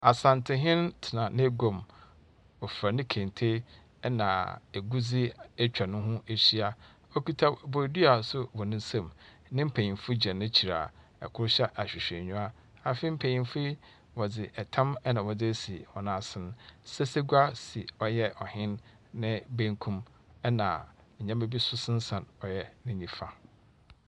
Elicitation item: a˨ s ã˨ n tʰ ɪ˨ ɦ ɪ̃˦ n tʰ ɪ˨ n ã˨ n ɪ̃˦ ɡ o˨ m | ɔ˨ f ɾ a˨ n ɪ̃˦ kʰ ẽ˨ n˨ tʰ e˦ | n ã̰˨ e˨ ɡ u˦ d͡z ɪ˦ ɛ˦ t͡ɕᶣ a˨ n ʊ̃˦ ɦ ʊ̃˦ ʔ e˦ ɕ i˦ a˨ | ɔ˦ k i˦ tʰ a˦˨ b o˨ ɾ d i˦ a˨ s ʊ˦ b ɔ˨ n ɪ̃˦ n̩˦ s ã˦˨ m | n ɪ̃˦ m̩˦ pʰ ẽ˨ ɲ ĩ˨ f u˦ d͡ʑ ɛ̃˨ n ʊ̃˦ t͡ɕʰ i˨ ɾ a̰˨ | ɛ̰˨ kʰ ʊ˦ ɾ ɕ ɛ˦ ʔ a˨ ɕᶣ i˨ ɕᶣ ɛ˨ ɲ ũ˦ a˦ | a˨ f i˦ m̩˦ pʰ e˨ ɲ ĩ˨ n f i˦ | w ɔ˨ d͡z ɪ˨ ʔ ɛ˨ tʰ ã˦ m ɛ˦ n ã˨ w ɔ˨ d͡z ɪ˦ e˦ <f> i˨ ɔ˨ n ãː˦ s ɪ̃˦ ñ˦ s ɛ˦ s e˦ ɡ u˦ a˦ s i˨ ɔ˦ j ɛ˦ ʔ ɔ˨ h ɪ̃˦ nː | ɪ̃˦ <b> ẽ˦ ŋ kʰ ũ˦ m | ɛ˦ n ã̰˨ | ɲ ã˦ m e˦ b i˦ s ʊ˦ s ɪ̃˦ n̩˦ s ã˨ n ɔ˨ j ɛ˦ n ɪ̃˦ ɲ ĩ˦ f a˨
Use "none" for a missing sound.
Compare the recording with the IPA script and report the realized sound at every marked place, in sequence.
s, b

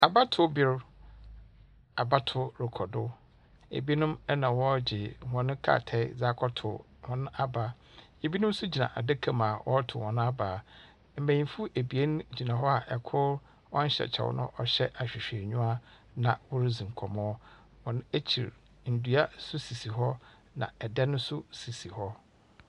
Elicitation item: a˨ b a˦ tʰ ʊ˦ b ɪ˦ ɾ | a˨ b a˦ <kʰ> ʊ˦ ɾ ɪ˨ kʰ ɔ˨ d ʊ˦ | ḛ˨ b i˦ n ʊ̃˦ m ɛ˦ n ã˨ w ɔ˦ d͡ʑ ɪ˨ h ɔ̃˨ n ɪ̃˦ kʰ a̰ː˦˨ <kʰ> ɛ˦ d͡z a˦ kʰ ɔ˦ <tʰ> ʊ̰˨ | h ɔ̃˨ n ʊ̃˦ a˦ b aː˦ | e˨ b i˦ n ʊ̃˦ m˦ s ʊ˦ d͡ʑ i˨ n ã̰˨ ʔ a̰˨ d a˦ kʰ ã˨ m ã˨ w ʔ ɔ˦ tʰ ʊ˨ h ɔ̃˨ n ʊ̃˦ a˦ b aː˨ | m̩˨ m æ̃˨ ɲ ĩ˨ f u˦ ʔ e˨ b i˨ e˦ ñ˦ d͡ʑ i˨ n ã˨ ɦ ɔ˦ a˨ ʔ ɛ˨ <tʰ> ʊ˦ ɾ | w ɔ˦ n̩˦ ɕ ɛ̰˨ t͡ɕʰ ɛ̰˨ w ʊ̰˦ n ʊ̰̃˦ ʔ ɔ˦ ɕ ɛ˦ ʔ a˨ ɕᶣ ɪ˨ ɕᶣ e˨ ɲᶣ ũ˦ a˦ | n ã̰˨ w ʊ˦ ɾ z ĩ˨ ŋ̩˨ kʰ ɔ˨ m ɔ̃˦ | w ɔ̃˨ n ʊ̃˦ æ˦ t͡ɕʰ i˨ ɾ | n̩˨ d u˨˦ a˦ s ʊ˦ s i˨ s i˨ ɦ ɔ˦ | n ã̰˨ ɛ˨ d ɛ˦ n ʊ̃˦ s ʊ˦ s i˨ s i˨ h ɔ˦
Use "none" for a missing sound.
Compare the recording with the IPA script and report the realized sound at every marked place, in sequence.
tʰ, tʰ, tʰ, kʰ

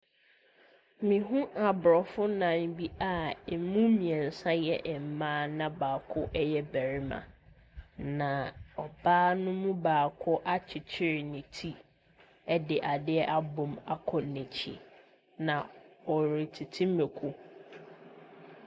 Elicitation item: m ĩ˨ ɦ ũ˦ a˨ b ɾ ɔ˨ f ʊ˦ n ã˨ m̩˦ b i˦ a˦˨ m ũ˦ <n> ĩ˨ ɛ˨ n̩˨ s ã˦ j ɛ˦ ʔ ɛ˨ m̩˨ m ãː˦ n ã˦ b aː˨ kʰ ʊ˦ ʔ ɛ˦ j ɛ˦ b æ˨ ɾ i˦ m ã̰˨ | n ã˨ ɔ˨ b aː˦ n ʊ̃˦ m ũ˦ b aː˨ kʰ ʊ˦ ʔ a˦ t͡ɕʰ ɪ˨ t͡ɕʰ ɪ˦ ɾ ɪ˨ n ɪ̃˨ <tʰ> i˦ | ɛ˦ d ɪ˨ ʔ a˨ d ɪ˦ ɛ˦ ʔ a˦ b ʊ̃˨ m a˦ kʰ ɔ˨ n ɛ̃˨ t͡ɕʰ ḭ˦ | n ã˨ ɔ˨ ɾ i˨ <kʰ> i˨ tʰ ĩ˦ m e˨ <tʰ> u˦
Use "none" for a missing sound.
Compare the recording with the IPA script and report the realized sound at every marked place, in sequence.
m, tʰ, tʰ, kʰ

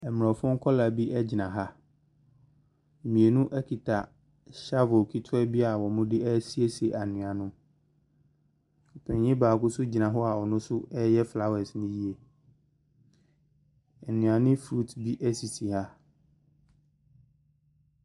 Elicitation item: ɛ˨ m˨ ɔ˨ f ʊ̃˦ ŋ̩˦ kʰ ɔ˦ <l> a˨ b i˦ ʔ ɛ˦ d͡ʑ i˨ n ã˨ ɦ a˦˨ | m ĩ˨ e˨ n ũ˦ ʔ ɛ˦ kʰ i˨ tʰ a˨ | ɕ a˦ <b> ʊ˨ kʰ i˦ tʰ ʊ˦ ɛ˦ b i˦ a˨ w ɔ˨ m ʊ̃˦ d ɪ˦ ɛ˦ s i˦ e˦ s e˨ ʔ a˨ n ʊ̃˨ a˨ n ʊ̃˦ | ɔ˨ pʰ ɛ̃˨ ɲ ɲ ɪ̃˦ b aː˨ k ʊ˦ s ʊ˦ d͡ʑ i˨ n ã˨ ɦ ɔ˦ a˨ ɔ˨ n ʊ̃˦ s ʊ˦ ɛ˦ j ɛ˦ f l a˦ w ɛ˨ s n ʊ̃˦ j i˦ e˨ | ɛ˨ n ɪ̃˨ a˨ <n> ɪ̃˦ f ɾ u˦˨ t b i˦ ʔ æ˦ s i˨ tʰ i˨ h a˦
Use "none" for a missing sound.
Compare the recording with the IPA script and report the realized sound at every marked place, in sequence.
l, v, n

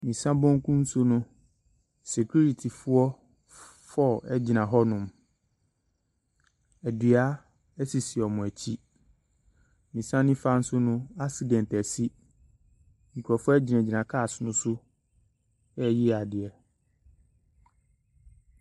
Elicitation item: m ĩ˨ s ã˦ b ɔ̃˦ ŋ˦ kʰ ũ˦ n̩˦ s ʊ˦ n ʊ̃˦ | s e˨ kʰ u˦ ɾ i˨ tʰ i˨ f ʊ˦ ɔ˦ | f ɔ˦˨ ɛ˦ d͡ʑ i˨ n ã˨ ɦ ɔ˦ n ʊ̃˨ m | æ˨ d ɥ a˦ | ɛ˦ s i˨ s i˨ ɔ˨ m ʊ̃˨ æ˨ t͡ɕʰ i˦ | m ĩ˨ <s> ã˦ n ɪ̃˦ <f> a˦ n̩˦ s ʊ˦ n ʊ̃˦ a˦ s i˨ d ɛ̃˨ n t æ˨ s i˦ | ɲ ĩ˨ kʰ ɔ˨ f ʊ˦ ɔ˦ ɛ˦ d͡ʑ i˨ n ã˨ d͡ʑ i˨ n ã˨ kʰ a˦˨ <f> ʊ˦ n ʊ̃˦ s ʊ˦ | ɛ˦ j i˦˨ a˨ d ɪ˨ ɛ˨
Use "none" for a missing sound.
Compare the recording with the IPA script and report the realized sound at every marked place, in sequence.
s, f, s

